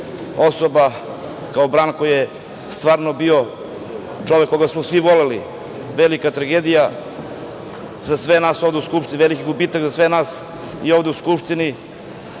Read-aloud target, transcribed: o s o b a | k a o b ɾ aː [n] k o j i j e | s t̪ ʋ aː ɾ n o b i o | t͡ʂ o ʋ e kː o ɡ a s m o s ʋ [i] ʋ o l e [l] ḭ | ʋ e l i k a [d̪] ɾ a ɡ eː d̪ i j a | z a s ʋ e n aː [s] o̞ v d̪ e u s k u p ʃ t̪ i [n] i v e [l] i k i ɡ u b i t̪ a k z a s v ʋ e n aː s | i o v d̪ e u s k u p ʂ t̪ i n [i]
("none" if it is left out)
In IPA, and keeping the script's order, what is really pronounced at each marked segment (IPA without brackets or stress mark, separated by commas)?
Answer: n, i, l, t̪, s, n, l, i